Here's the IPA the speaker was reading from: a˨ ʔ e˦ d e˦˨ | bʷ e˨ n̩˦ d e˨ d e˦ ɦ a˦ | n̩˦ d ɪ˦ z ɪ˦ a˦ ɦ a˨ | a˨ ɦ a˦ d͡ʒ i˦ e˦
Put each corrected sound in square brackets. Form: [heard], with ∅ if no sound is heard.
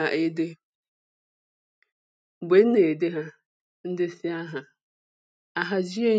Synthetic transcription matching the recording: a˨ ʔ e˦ d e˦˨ | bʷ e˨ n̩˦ [n] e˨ d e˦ ɦ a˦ | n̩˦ d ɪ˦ [s] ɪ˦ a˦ ɦ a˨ | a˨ ɦ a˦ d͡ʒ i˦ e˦